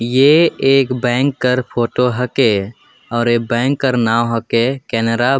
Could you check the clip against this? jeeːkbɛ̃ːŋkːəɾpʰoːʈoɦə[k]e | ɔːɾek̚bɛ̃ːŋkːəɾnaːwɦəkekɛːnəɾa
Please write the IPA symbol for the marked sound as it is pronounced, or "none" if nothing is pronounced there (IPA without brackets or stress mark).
k